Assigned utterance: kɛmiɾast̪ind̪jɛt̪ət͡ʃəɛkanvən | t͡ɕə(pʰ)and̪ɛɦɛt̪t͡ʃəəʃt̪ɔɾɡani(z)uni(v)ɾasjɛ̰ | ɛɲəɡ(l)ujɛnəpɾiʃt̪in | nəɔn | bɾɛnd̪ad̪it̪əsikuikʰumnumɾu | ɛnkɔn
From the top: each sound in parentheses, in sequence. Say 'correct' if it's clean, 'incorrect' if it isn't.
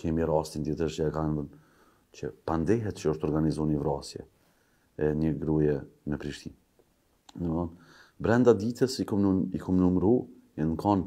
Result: incorrect: p, correct, correct, incorrect: ɾ

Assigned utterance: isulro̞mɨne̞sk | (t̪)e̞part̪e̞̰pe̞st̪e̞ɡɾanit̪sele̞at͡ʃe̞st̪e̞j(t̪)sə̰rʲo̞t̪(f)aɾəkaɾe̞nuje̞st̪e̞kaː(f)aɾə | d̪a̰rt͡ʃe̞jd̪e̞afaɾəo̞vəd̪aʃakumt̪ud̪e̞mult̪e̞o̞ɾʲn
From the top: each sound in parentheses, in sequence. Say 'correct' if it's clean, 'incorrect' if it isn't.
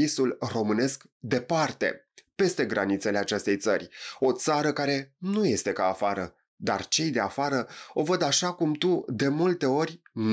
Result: incorrect: d̪, correct, incorrect: s, correct

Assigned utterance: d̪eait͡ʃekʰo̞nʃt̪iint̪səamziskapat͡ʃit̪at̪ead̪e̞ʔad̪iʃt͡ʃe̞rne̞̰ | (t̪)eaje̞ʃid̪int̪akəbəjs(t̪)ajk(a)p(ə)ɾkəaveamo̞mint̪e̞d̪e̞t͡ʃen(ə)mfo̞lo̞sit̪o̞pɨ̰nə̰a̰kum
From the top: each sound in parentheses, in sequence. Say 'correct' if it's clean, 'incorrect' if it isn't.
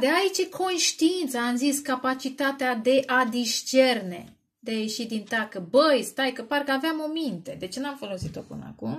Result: incorrect: d̪, correct, incorrect: ə, incorrect: a, incorrect: a

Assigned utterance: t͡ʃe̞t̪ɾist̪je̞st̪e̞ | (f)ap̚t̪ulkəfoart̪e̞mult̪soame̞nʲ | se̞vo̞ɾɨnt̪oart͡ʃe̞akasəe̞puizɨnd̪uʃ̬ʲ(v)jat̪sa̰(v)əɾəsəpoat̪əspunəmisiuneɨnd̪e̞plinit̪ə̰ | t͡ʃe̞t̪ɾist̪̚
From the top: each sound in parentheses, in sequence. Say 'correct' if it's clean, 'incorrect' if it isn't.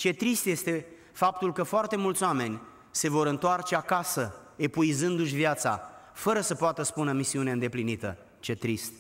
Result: correct, correct, incorrect: f

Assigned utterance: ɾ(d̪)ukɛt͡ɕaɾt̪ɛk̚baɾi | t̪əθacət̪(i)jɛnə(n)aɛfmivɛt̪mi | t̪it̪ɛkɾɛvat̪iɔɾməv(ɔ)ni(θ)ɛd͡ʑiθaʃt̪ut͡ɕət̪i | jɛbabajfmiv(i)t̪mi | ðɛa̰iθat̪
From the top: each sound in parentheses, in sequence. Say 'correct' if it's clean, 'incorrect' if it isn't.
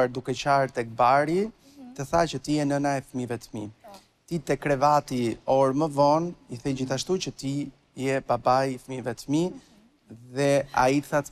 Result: correct, correct, correct, correct, correct, incorrect: ɛ

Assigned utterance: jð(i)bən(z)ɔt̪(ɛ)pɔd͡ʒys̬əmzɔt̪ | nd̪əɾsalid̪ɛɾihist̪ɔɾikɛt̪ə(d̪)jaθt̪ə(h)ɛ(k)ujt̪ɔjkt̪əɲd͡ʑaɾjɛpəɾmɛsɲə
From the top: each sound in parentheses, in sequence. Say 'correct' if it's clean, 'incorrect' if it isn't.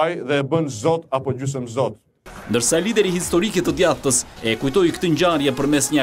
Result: incorrect: ɛ, correct, incorrect: a, correct, incorrect: s, correct

